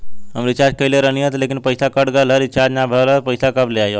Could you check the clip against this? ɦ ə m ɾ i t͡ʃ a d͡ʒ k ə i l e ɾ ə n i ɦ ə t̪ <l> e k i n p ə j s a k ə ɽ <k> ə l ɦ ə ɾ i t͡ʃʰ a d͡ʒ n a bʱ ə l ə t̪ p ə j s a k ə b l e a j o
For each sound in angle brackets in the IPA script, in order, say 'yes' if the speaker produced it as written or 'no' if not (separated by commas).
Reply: yes, no